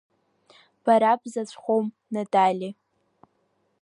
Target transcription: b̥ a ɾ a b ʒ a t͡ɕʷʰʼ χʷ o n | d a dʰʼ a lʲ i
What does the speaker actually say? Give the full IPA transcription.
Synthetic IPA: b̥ a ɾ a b z a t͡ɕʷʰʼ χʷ o m | n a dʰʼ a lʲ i